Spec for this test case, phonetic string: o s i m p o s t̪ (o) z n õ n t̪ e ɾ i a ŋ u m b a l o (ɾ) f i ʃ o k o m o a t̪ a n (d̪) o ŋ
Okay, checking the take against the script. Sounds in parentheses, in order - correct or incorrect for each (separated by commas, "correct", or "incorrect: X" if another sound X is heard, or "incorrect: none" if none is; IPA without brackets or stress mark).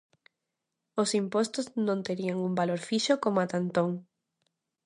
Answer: correct, correct, incorrect: t̪